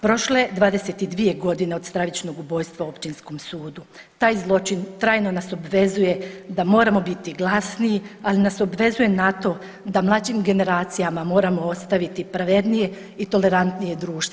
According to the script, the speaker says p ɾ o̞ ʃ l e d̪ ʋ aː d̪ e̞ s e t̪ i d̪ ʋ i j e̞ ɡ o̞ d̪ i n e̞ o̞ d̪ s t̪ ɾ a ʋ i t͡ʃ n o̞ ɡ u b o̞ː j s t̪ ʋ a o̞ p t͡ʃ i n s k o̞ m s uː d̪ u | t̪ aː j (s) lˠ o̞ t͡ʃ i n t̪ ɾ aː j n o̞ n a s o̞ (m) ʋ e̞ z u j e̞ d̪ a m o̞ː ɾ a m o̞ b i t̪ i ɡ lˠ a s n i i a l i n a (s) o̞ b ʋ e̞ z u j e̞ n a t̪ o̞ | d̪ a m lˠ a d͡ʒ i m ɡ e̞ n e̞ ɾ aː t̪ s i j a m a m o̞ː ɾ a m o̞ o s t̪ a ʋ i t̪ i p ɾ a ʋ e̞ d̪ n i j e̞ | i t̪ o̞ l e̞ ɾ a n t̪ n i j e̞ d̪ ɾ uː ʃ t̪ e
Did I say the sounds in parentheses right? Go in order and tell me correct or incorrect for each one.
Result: incorrect: z, incorrect: b, correct

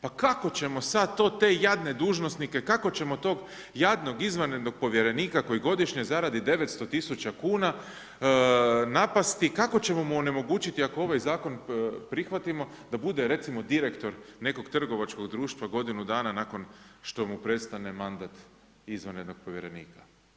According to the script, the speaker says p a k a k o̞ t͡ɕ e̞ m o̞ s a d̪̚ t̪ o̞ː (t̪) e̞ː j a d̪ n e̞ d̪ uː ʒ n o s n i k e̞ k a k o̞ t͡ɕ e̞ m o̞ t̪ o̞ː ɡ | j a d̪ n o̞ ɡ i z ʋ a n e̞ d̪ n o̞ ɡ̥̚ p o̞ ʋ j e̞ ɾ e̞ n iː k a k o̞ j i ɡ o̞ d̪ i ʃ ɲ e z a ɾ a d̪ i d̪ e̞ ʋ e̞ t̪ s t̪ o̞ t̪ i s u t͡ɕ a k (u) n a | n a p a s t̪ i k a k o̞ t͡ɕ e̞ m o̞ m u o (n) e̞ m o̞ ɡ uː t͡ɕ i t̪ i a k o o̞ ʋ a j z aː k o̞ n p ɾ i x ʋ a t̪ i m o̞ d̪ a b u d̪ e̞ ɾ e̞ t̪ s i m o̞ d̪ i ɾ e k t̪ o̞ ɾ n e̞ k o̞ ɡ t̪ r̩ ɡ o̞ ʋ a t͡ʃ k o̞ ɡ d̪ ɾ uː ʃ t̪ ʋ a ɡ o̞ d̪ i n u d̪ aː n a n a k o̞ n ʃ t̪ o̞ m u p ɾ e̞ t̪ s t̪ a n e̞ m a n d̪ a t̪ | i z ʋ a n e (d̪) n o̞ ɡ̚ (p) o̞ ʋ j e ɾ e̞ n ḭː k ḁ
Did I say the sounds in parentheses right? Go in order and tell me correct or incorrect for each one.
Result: correct, incorrect: uː, correct, correct, correct

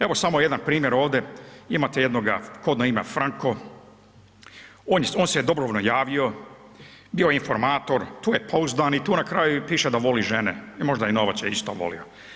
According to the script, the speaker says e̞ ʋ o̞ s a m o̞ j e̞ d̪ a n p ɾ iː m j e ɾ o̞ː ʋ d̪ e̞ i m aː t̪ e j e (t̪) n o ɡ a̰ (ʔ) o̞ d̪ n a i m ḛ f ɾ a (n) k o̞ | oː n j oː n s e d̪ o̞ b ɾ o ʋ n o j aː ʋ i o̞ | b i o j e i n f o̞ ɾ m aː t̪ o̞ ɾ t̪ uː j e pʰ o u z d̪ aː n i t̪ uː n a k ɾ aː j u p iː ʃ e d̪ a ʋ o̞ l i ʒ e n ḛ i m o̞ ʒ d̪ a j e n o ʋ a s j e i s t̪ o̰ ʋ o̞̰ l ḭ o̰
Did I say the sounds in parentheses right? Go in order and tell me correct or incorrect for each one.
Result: incorrect: d̪, incorrect: k, incorrect: ŋ

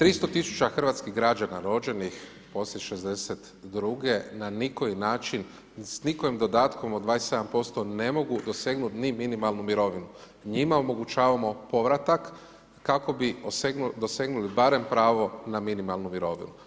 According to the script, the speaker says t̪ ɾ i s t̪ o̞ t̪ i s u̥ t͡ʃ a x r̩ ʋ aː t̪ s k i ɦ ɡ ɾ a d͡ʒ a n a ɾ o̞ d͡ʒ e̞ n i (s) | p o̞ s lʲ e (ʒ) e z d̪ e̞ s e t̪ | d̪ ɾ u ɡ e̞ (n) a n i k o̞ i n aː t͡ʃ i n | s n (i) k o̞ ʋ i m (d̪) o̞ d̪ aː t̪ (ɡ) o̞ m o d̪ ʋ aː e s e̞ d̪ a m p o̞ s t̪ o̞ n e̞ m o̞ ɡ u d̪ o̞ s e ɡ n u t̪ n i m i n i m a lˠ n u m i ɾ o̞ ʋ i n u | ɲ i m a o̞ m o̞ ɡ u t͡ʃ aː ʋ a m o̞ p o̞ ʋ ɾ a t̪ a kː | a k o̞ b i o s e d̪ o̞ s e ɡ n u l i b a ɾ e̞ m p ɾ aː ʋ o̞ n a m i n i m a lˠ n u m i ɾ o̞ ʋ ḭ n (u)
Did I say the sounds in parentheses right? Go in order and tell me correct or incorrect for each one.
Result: incorrect: x, incorrect: ʃ, correct, correct, correct, incorrect: k, correct

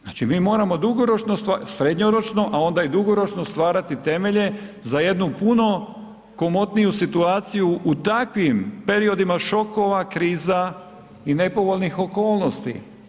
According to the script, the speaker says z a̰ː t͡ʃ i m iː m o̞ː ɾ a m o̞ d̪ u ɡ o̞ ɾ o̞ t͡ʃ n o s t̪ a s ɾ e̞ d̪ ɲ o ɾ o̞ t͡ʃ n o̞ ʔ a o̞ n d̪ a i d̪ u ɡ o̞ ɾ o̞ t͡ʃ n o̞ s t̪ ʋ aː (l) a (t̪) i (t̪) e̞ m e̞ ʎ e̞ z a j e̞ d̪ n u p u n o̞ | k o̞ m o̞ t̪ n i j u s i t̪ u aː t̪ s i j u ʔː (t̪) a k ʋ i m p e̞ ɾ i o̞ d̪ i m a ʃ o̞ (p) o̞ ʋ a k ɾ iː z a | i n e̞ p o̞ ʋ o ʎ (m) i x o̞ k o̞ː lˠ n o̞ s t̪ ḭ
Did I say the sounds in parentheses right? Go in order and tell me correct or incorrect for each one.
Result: incorrect: ɾ, correct, correct, correct, incorrect: k, incorrect: n

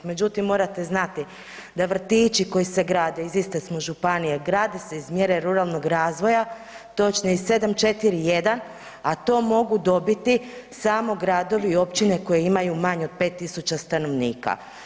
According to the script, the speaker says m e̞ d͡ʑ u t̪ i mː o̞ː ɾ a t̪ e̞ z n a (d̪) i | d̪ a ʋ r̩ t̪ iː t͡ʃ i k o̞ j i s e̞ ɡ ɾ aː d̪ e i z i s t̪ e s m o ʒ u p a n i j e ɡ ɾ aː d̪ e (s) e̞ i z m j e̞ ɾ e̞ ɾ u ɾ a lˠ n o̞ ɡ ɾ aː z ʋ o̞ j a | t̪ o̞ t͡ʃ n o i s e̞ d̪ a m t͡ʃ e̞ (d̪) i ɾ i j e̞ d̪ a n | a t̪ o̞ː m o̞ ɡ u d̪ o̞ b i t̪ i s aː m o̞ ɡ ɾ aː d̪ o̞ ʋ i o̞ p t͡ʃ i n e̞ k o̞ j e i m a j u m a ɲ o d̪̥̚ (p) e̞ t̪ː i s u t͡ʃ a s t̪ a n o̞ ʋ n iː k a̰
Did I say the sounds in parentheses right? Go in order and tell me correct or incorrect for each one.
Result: incorrect: t̪, correct, incorrect: t̪, correct

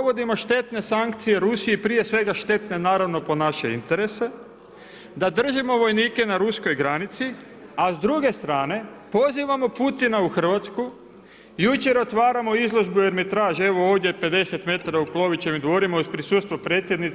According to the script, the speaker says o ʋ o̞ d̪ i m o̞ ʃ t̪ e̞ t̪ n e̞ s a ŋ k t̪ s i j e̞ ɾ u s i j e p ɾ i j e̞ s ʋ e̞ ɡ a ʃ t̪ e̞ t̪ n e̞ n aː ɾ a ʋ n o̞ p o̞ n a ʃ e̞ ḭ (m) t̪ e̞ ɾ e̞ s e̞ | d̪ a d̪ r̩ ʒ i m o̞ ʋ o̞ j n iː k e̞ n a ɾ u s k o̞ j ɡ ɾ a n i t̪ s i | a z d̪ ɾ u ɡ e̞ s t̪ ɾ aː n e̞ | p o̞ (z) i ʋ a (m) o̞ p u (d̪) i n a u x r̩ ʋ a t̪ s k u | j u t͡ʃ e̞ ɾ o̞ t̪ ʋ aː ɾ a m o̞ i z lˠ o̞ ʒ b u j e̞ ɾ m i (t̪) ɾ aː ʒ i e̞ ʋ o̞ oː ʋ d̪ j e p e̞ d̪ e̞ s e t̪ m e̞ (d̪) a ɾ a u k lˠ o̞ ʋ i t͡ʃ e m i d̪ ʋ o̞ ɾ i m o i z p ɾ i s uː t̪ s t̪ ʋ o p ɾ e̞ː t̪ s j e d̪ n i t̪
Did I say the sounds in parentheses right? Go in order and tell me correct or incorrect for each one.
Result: incorrect: n, correct, correct, incorrect: t̪, correct, incorrect: t̪

